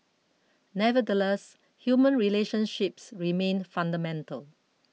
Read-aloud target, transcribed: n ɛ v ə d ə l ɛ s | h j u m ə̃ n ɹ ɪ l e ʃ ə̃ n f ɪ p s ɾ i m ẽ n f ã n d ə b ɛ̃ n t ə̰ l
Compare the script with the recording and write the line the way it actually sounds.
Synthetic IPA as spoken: n ɛ v ə d ə l ɛ s | h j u m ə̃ n ɹ i l e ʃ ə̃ n ʃ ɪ p s ɹ i m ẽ n f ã n d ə m ɛ̃ n t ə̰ l